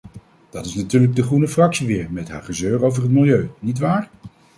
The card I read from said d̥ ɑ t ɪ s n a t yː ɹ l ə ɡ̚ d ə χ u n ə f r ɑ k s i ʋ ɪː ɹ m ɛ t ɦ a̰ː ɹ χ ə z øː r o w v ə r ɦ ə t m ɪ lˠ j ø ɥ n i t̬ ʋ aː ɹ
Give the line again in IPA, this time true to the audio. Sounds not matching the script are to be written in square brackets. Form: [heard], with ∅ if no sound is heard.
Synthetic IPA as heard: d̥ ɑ t ɪ s n a t yː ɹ l ə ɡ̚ d ə χ u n ə f r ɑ k s i ʋ ɪː ɹ m ɛ t ɦ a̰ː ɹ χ ə z øː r o w v ə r ɦ ə t m ɪ lˠ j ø ɥ n i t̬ ʋ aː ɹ